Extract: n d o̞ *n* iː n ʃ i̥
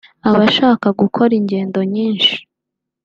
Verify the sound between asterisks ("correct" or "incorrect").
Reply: incorrect